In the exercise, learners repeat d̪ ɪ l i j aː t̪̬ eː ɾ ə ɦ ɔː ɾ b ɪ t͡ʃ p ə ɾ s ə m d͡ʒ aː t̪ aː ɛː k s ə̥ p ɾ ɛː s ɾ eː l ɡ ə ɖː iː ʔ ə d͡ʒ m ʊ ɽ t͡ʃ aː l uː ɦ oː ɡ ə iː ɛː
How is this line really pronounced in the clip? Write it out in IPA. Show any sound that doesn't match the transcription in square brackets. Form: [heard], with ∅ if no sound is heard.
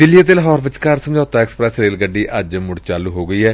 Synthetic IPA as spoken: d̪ ɪ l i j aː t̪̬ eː [l] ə ɦ ɔː ɾ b ɪ t͡ʃ [k] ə ɾ s ə m d͡ʒ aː t̪ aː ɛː k s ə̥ p ɾ ɛː s ɾ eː l ɡ ə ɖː iː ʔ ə d͡ʒ m ʊ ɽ t͡ʃ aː l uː ɦ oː ɡ ə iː ɛː